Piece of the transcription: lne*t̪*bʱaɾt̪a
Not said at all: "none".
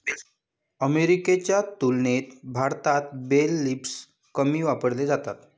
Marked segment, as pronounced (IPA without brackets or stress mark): t̪